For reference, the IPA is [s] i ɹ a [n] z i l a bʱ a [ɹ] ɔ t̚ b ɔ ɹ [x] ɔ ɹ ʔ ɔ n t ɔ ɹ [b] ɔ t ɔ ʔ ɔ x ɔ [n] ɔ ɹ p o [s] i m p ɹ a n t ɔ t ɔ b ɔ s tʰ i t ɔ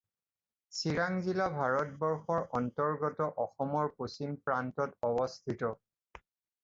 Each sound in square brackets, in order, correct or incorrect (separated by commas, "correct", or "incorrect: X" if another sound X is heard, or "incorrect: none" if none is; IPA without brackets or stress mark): correct, incorrect: ŋ, correct, correct, incorrect: ɡ, incorrect: m, correct